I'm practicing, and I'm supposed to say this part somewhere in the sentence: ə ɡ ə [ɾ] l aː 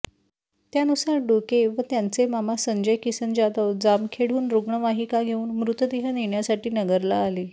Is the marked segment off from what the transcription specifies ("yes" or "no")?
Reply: no